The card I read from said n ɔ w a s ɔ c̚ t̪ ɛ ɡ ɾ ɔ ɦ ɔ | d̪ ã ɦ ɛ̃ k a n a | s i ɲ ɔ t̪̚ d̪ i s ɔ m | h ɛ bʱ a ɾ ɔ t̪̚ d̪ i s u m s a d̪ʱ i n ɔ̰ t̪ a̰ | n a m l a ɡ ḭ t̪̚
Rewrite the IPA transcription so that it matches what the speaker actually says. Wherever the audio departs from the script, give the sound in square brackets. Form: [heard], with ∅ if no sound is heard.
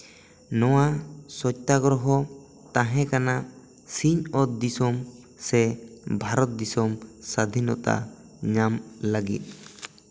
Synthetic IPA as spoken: n ɔ w a s ɔ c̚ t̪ [a] ɡ ɾ ɔ ɦ ɔ | [t̪] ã ɦ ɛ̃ k a n a | s i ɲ ɔ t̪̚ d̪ i s ɔ m | [s] ɛ bʱ a ɾ ɔ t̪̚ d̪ i s [ɔ] m s a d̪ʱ i n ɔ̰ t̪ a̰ | [ɲ] a m l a ɡ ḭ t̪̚